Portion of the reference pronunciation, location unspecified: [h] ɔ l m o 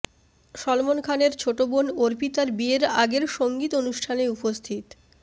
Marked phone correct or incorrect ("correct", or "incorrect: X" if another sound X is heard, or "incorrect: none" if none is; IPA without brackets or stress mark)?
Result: incorrect: ʃ